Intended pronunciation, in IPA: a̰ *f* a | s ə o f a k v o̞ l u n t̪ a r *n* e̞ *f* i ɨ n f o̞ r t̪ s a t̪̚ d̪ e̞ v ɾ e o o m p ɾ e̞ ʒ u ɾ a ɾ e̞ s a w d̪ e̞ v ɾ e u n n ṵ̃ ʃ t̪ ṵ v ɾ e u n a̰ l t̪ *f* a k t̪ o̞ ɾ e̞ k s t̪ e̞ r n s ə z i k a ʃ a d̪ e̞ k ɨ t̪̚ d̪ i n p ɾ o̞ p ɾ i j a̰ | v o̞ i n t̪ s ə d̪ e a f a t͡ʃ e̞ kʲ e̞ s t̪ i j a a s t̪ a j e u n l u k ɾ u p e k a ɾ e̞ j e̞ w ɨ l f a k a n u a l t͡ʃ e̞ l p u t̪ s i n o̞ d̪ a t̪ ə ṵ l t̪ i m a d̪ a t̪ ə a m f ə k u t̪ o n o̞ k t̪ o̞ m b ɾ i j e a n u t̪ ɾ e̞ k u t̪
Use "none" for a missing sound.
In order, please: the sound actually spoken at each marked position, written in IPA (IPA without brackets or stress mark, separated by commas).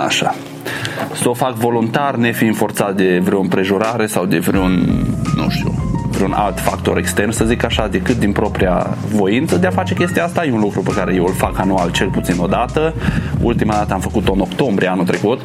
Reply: ʃ, n, f, f